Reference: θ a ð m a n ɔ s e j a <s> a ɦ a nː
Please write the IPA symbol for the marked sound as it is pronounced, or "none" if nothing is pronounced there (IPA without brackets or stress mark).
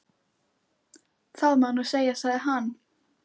s